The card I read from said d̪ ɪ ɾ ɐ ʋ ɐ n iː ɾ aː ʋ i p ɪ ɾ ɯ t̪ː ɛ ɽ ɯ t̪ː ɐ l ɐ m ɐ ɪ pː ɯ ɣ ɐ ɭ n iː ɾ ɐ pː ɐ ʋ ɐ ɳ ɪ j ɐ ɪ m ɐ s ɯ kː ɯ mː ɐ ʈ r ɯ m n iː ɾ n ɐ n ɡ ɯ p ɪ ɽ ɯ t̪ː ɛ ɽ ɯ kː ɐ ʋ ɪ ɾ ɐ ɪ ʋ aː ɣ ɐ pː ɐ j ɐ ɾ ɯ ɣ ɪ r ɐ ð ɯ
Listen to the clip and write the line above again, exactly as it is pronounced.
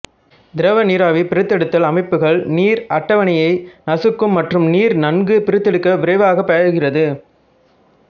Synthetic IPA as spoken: d̪ ɪ ɾ ɐ ʋ ɐ n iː ɾ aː ʋ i p ɪ ɾ ɯ t̪ː ɛ ɽ ɯ t̪ː ɐ l ɐ m ɐ ɪ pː ɯ ɣ ɐ ɭ n iː ɾ ɐ ʈː ɐ ʋ ɐ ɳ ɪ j ɐ ɪ n ɐ s ɯ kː ɯ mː ɐ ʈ r ɯ m n iː ɾ n ɐ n ɡ ɯ p ɪ ɾ ɯ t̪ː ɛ ɽ ɯ kː ɐ ʋ ɪ ɾ ɐ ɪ ʋ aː ɣ ɐ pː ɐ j ɐ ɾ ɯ ɣ ɪ r ɐ ð ɯ